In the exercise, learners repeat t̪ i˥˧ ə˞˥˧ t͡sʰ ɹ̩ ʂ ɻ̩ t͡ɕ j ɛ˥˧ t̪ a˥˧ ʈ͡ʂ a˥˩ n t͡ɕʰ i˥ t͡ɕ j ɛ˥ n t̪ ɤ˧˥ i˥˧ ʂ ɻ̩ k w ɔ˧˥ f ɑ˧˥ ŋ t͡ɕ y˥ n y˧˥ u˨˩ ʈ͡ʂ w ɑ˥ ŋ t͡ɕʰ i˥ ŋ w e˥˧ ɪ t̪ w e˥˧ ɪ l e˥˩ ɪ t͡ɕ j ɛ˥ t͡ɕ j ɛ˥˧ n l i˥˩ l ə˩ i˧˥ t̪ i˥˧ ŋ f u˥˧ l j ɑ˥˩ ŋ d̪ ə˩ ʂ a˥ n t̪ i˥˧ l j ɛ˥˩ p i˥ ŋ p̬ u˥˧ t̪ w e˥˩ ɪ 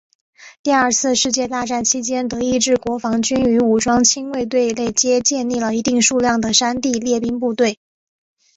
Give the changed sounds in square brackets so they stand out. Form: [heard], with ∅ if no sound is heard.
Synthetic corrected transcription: t̪ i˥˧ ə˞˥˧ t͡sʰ ɹ̩ ʂ ɻ̩ t͡ɕ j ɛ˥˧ t̪ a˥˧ ʈ͡ʂ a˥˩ n t͡ɕʰ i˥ t͡ɕ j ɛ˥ n t̪ ɤ˧˥ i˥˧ [ʈ͡ʂ] ɻ̩ k w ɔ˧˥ f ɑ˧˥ ŋ t͡ɕ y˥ n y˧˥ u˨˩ ʈ͡ʂ w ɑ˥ ŋ t͡ɕʰ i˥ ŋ w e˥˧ ɪ t̪ w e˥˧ ɪ l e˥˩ ɪ t͡ɕ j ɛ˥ t͡ɕ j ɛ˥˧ n l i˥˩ l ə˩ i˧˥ t̪ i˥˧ ŋ [ʂ] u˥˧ l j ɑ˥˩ ŋ d̪ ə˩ ʂ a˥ n t̪ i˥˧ l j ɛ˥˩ p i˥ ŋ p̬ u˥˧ t̪ w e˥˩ ɪ